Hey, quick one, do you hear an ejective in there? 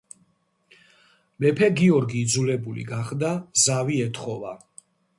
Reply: no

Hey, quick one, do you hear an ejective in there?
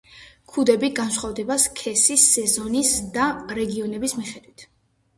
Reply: no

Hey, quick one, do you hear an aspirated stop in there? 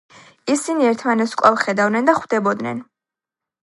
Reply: yes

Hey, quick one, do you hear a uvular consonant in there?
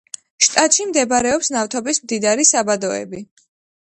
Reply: no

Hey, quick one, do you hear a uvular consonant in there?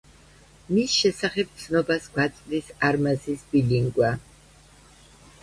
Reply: yes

